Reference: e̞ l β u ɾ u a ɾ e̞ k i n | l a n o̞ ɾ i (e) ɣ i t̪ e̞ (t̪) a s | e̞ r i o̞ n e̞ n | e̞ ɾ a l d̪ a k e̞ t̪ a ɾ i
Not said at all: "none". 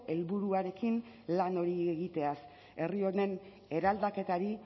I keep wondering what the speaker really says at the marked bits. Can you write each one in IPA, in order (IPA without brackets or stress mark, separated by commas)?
e, none